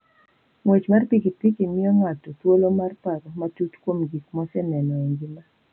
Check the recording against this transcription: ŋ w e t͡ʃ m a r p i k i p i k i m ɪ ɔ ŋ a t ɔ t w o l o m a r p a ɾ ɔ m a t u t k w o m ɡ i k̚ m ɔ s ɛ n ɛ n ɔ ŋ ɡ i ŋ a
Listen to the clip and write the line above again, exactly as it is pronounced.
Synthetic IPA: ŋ w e t͡ʃ m a r p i k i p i k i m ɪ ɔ ŋ a t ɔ t w o l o m a r p a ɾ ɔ m a t u t k w o m ɡ i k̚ m ɔ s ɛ n ɛ n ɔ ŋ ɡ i m a